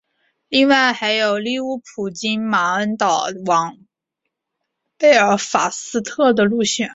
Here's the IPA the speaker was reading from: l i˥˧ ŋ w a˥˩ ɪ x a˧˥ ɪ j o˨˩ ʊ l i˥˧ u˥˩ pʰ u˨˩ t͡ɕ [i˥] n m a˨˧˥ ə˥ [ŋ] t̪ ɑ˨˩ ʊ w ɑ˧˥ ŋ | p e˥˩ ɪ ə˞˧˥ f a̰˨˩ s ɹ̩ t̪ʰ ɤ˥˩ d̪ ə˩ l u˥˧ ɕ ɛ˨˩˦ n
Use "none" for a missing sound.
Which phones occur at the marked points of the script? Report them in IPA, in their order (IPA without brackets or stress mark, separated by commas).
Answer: i˥, n